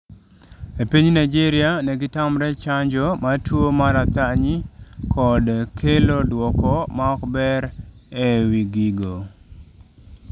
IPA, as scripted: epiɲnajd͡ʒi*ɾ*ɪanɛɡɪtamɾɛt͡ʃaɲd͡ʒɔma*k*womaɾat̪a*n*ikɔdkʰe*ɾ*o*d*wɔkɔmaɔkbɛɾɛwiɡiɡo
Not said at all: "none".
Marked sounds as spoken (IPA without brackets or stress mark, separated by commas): ɾ, t, ɲ, l, d